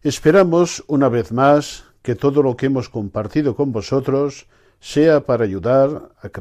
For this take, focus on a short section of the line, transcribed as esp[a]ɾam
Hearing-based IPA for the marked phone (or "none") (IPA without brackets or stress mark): e